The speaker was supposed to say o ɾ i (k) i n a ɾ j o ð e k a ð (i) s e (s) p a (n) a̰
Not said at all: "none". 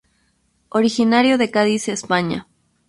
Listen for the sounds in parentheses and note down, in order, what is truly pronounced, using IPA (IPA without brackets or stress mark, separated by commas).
x, i, s, ɲ